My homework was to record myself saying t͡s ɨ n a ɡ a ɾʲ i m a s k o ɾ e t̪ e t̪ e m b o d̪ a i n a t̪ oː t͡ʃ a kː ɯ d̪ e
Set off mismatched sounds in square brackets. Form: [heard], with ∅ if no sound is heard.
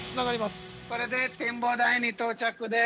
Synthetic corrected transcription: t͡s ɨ n a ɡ a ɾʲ i m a s k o ɾ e [d̪] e t̪ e m b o d̪ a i n [i] t̪ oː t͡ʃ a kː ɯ d̪ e